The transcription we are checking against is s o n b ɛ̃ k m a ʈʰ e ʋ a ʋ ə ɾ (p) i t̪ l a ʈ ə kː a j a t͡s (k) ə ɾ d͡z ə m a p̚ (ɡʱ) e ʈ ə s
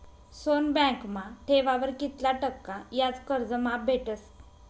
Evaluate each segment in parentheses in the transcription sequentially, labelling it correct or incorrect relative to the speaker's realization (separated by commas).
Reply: incorrect, correct, incorrect